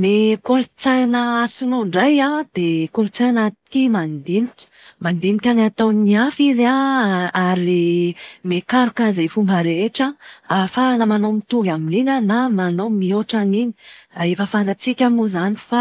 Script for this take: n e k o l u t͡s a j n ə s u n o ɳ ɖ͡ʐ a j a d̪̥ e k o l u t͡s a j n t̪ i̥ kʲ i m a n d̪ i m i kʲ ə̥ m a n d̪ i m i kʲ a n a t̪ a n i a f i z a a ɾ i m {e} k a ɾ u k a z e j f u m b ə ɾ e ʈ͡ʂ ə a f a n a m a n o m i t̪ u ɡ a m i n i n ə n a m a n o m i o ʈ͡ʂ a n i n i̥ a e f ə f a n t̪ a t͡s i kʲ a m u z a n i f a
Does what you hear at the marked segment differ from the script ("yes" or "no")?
no